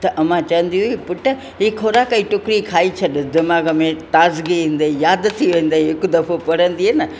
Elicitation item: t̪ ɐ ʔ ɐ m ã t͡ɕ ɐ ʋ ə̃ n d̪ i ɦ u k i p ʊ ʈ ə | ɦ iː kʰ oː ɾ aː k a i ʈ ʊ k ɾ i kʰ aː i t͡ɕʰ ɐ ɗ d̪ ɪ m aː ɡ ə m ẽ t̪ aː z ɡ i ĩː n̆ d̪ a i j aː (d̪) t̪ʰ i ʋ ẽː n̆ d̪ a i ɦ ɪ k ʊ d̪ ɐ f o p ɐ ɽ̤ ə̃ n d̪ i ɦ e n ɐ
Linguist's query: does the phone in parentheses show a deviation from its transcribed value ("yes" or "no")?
no